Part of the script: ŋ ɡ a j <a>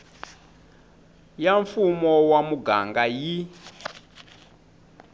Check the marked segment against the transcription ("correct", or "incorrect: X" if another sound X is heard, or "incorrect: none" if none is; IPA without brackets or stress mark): incorrect: i